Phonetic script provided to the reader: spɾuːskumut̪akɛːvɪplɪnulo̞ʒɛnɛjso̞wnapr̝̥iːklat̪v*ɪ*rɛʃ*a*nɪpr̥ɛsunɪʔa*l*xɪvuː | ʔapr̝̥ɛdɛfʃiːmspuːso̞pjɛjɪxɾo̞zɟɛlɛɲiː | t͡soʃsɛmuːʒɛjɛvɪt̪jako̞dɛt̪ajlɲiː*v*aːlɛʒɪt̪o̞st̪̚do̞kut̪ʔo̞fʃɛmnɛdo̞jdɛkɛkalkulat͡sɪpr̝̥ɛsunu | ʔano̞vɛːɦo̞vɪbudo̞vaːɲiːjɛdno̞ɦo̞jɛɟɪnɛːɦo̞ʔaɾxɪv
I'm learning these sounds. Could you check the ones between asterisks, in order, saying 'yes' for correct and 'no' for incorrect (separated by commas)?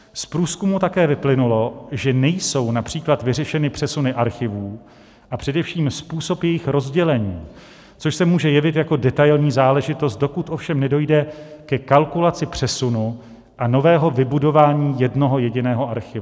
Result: yes, no, no, no